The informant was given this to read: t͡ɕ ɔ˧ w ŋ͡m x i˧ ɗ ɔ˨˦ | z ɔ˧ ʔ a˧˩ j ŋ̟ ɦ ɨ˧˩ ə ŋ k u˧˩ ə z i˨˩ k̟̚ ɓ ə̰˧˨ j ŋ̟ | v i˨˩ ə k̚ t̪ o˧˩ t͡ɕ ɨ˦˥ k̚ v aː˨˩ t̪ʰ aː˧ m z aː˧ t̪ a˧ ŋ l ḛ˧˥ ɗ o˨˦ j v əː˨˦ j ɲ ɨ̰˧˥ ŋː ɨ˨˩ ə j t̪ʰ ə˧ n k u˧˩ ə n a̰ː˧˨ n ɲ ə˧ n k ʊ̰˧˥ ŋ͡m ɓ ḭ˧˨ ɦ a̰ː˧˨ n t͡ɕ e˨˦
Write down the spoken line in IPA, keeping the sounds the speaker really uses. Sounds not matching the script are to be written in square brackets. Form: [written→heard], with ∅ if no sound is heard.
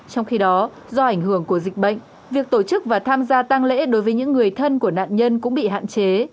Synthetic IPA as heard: t͡ɕ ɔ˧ w ŋ͡m x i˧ ɗ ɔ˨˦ | z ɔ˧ ʔ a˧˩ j ŋ̟ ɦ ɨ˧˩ ə ŋ k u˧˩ ə z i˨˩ k̟̚ ɓ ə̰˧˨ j ŋ̟ | v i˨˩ ə k̚ t̪ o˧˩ t͡ɕ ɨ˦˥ k̚ v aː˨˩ t̪ʰ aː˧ m z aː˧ t̪ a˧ ŋ l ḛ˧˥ ɗ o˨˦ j v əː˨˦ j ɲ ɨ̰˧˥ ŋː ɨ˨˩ ə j t̪ʰ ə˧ n k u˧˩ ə n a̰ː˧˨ n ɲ ə˧ n k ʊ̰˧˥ ŋ͡m ɓ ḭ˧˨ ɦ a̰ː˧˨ n t͡ɕ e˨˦